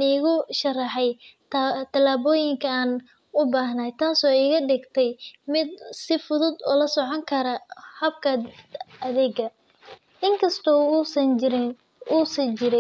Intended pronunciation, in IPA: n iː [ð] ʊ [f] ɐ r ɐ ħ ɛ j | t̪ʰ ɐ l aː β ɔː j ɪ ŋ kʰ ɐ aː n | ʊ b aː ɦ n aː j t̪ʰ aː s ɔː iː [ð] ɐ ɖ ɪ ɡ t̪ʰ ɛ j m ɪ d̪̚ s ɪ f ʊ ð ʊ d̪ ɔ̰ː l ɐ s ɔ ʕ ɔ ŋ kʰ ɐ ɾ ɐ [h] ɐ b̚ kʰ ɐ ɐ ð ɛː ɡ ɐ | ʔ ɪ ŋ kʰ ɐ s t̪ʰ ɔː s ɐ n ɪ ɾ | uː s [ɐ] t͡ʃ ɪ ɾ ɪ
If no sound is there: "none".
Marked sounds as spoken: ɣ, ʃ, ɣ, h, ɐ

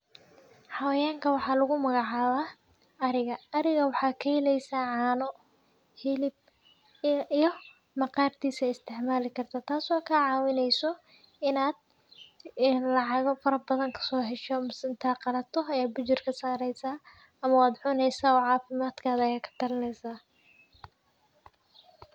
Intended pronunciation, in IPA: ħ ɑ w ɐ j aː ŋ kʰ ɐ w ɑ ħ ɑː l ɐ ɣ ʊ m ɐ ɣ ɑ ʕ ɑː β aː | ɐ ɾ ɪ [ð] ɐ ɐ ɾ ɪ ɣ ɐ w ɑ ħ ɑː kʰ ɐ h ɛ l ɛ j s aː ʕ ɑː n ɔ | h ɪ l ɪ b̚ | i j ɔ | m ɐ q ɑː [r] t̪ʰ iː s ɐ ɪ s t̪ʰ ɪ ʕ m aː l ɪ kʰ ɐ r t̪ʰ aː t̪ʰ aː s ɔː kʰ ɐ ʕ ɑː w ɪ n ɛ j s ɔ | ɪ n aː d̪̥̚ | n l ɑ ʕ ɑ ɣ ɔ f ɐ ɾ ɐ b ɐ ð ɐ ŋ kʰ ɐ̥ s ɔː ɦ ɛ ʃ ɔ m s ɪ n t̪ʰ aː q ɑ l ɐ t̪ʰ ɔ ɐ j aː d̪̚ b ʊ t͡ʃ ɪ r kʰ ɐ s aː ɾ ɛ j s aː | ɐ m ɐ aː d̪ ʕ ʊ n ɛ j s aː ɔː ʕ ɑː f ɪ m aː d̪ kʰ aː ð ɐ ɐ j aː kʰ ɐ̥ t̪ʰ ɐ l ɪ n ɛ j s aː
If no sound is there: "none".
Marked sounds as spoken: ɣ, r

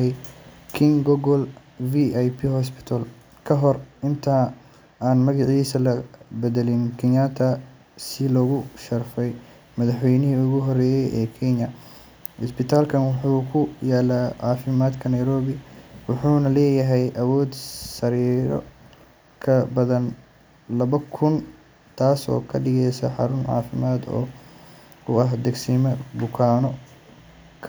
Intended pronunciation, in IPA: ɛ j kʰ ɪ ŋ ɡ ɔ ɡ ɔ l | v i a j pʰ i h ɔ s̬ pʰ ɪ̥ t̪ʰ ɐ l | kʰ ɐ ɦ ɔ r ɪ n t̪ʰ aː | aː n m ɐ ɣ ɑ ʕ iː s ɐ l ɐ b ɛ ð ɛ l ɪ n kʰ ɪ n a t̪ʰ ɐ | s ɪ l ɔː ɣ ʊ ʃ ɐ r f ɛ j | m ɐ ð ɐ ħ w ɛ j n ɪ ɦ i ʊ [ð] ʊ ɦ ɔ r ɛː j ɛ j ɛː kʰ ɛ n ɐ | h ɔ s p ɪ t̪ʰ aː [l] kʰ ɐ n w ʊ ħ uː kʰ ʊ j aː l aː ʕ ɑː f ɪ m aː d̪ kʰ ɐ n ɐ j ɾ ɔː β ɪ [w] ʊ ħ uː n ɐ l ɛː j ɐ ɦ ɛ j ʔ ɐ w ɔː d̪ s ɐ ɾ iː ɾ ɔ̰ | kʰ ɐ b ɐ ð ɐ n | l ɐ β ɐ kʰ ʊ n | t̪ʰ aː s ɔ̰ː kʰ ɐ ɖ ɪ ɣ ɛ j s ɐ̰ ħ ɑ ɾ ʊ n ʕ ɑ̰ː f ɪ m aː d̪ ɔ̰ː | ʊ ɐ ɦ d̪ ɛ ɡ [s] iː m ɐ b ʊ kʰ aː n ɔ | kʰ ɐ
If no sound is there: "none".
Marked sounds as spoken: ɣ, l, w, s

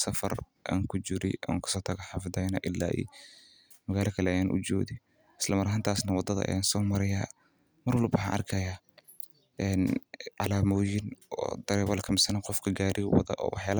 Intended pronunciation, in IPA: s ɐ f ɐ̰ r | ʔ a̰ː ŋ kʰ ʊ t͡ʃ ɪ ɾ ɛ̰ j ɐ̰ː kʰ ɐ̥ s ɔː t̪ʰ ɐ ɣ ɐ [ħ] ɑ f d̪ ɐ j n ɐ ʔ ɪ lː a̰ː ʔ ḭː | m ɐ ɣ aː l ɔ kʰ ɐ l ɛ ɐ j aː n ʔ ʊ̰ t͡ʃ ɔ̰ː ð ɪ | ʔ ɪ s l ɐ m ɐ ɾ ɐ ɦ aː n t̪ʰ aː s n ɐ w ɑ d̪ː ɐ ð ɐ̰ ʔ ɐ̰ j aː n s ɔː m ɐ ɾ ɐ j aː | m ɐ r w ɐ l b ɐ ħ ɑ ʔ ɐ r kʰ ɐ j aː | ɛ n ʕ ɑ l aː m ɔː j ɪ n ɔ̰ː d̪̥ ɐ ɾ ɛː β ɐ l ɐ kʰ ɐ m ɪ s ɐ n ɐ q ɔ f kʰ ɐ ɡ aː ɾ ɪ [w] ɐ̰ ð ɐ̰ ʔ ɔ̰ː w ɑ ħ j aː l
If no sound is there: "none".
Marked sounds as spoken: ħ, w

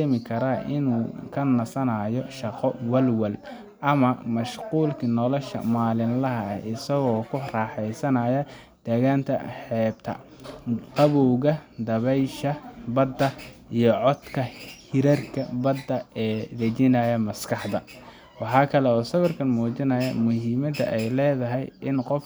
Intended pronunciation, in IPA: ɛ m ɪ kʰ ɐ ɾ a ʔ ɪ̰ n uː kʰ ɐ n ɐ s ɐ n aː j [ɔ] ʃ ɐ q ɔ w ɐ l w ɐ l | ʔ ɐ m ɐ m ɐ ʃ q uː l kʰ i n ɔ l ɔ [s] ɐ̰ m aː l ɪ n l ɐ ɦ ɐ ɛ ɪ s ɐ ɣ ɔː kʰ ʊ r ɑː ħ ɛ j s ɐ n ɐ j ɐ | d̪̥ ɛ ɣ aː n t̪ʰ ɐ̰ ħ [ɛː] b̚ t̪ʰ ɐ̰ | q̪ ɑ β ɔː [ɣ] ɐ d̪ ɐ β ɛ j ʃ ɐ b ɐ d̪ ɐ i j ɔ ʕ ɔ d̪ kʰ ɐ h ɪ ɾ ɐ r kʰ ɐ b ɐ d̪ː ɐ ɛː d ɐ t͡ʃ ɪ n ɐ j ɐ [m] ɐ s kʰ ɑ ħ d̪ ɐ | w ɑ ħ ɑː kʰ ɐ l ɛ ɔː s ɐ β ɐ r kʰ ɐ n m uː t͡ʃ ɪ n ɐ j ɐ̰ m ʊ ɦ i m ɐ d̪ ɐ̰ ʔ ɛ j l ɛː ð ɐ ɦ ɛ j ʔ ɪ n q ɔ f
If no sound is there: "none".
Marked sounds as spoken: ɔ, ʃ, ɛː, ɣ, m

